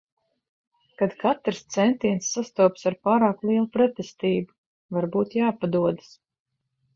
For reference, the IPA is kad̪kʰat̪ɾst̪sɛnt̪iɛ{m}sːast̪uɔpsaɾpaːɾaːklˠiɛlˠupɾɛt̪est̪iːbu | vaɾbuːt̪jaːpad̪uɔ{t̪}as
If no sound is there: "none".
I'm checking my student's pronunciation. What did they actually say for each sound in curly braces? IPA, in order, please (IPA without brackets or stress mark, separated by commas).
n, d̪